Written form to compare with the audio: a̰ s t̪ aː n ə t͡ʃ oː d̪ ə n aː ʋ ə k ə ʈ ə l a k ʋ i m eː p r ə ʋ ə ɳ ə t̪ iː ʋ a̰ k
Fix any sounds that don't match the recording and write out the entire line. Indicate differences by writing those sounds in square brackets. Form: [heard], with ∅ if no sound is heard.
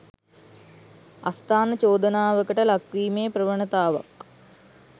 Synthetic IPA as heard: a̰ s t̪ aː n ə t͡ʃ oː d̪ ə n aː ʋ ə k ə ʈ ə l a k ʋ [iː] m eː p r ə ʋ ə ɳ ə t̪ [aː] ʋ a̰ k